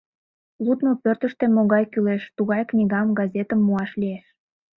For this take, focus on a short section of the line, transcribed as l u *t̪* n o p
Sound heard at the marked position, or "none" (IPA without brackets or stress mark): t̪